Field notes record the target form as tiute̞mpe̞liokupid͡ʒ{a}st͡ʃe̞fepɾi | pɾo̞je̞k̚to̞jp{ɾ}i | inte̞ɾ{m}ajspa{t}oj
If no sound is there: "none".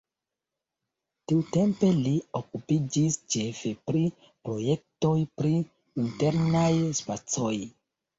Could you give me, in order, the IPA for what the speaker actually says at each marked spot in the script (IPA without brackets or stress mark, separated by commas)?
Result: i, ɾ, n, t͡s